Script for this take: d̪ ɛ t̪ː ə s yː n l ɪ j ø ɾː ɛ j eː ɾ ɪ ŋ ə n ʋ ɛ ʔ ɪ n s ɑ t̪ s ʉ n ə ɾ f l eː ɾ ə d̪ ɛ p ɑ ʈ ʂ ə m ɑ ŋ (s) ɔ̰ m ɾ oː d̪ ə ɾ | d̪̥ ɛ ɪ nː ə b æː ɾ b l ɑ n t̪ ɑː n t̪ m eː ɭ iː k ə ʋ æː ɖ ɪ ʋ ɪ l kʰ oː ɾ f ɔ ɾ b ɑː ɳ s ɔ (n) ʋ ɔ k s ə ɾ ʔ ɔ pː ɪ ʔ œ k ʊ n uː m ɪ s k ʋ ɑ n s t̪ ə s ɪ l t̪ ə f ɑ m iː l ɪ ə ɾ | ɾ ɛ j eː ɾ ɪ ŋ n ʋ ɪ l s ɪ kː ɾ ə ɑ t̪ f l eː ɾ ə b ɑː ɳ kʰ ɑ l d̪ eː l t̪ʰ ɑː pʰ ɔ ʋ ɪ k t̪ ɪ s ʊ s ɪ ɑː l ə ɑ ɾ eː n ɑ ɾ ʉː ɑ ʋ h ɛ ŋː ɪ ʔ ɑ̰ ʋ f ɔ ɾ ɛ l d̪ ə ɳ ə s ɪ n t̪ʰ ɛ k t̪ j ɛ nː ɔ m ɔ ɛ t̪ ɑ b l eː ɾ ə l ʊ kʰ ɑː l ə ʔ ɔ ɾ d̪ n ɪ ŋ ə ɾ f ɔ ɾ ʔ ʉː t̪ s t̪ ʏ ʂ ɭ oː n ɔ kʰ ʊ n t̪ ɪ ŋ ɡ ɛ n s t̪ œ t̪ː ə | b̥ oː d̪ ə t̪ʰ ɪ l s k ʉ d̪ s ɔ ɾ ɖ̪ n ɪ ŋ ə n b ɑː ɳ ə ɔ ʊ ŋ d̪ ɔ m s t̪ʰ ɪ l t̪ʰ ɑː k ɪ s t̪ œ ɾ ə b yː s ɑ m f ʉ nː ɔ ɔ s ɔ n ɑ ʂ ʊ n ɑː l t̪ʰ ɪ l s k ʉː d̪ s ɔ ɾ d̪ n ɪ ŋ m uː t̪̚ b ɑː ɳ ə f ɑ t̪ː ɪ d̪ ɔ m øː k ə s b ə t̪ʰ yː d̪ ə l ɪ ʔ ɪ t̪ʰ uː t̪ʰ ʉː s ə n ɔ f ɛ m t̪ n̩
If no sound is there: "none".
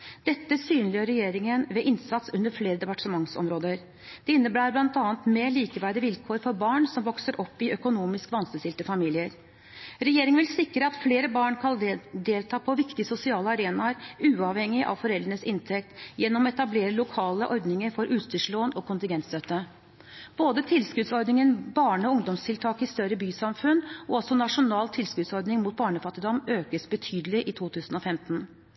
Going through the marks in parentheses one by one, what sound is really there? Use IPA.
s, m

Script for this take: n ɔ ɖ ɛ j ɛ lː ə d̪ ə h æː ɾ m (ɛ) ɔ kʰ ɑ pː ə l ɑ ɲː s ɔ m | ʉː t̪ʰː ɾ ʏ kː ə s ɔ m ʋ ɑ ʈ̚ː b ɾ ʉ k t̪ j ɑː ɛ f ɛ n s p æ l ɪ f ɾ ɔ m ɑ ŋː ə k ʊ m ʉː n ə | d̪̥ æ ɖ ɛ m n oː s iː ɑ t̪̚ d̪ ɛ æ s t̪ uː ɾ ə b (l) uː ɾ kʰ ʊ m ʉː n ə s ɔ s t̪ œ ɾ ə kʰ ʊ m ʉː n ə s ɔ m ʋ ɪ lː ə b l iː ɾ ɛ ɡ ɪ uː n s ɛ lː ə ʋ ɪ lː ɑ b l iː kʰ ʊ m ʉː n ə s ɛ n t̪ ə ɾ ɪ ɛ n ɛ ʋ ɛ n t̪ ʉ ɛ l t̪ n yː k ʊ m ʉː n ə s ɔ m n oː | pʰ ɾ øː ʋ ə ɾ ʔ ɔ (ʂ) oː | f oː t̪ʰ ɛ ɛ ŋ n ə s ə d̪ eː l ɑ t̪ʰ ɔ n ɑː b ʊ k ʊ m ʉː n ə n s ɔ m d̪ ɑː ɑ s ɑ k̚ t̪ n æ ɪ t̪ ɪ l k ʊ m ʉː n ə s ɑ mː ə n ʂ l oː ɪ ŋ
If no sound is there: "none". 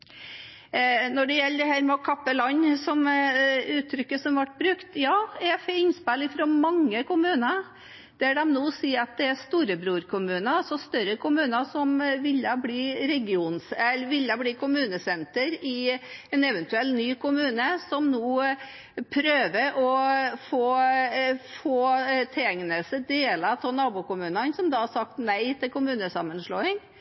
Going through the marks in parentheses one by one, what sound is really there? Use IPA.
ɛ, ɾ, f

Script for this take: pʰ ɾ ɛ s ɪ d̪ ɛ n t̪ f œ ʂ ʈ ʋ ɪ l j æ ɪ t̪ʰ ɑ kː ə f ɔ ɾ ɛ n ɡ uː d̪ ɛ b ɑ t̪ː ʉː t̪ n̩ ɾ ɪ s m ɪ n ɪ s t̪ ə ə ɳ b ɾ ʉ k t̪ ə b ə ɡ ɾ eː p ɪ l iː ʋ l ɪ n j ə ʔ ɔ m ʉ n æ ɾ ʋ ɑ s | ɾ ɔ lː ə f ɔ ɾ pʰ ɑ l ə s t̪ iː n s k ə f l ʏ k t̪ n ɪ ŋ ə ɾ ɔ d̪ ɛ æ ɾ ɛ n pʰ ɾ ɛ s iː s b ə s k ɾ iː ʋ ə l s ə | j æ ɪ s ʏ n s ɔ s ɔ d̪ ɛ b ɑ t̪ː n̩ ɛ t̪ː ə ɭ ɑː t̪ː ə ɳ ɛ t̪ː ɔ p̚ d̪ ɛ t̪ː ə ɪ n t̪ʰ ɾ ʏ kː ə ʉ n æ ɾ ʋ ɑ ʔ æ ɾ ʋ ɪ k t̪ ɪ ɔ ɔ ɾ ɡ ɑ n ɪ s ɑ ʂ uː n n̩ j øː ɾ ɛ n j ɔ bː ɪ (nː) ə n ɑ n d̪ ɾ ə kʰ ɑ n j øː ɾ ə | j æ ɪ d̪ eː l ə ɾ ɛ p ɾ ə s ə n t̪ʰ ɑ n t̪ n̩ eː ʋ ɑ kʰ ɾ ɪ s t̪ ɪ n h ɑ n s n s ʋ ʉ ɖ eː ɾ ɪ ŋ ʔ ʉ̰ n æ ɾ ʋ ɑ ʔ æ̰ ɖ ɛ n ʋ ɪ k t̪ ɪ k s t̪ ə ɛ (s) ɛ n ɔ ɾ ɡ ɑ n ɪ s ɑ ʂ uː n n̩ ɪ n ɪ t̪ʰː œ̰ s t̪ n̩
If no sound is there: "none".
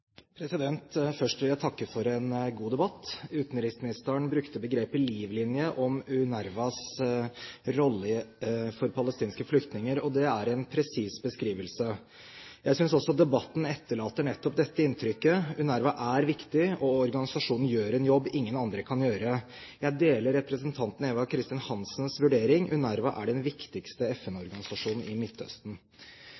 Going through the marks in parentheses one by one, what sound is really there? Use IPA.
ŋː, f

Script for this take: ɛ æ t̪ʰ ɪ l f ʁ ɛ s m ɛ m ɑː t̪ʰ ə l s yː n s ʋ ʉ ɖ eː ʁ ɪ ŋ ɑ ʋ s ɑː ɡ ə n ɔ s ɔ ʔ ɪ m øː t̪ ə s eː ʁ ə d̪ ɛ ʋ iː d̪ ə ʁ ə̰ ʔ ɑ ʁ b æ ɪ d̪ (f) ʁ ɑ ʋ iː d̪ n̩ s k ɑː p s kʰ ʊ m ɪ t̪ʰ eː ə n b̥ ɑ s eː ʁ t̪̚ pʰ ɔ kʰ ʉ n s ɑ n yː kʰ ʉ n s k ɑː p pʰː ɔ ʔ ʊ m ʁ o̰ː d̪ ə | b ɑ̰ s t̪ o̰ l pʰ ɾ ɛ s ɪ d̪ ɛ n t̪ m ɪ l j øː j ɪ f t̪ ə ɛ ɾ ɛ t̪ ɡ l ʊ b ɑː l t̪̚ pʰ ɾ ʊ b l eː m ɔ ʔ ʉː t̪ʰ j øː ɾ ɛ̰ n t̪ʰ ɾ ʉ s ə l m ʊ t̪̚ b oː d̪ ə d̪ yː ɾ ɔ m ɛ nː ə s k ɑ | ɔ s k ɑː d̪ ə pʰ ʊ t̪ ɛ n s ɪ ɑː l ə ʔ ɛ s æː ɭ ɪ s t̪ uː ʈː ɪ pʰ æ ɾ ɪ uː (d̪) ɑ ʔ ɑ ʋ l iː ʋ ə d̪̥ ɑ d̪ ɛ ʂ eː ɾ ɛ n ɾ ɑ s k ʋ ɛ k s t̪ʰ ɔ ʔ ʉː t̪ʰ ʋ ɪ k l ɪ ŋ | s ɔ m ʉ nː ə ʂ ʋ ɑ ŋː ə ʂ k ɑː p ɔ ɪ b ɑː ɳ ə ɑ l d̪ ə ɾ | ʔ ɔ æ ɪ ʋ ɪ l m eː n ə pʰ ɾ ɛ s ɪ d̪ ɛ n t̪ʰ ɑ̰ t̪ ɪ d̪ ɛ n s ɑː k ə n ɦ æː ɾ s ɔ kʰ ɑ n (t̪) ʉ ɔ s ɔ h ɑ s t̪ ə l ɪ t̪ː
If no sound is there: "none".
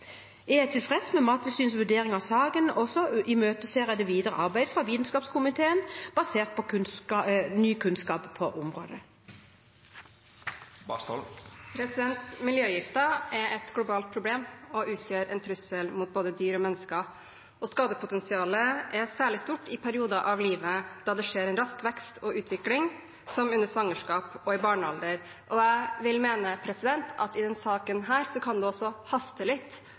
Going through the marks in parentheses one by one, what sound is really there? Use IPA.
f, d̪, d̪

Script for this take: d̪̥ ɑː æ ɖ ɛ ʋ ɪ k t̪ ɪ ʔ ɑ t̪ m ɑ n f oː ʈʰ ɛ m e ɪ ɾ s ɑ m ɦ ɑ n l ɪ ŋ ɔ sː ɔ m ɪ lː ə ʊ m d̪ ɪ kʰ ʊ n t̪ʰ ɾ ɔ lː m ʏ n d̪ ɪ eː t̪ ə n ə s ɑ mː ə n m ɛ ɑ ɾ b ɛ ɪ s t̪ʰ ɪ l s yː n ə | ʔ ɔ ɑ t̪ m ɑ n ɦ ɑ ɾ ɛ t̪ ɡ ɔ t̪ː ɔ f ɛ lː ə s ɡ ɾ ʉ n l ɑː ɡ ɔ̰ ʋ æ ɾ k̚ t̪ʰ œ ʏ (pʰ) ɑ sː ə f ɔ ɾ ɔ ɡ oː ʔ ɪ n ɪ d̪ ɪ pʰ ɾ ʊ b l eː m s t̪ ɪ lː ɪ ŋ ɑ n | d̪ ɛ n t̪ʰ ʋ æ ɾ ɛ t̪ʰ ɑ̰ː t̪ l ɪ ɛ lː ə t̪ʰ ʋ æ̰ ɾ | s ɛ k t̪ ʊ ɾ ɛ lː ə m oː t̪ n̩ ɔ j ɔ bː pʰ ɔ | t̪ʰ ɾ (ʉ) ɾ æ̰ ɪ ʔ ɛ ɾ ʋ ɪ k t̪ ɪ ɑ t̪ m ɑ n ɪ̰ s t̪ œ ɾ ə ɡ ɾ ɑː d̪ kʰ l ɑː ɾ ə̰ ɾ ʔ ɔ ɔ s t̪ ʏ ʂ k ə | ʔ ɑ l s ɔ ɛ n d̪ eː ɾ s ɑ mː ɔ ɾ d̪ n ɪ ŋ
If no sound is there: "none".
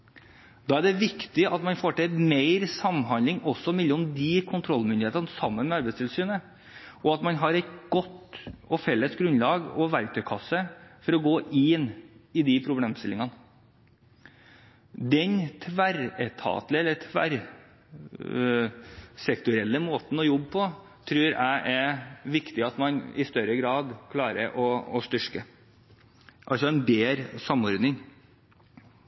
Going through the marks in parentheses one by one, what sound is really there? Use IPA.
kʰ, ʉː

